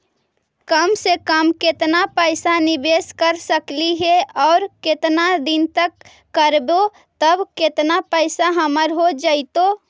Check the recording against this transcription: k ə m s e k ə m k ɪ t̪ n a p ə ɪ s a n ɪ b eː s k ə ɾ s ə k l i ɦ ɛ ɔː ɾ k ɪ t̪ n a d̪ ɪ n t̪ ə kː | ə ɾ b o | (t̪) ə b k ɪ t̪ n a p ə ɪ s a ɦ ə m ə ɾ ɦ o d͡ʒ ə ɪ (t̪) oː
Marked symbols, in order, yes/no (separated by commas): yes, yes